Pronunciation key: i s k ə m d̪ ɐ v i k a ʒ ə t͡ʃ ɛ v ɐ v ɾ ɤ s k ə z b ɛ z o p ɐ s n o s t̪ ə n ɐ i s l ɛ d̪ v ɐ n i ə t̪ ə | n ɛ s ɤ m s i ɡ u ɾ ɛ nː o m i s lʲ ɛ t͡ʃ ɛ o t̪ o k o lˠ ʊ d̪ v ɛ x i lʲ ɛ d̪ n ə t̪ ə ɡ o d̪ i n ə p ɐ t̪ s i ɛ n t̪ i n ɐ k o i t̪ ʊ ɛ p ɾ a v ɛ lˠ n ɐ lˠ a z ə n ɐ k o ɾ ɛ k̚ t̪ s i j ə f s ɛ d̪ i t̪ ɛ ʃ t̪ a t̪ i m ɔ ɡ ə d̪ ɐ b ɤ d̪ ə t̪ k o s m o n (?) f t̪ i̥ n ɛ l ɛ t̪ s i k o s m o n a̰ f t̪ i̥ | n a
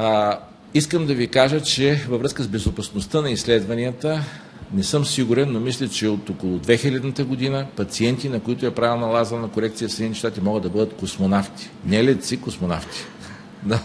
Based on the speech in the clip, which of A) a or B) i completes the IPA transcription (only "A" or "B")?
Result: A